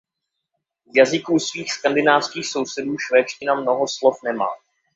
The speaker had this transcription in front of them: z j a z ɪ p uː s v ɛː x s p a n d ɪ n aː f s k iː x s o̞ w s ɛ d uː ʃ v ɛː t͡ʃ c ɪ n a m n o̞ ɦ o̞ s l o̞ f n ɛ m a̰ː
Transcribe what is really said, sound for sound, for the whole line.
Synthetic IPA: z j a z ɪ k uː s v iː x s k a n d ɪ n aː f s k iː x s o̞ w s ɛ d uː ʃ v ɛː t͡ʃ c ɪ n a m n o̞ ɦ o̞ s l o̞ f n ɛ m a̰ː